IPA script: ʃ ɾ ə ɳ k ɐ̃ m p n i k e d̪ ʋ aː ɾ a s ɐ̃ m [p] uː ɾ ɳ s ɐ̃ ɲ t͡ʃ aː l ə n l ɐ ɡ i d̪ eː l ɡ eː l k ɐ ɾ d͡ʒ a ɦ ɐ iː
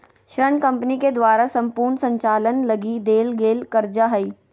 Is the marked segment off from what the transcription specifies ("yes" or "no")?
no